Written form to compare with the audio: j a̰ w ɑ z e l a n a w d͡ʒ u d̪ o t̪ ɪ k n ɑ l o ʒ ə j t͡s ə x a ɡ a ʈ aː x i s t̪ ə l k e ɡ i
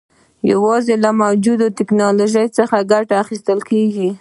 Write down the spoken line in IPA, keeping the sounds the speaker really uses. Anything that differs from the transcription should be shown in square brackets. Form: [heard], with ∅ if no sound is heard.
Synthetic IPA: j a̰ w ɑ z e l a [m] a w d͡ʒ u d̪ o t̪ ɪ k n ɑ l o ʒ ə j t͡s ə x a ɡ a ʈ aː x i s t̪ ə l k e ɡ i